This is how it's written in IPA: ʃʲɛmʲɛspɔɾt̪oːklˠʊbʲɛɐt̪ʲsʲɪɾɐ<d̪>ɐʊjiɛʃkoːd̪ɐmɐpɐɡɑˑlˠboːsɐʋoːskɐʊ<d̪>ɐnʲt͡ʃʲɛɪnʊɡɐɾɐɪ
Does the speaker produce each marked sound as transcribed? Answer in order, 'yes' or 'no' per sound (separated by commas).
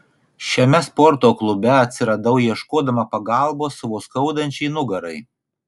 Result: yes, yes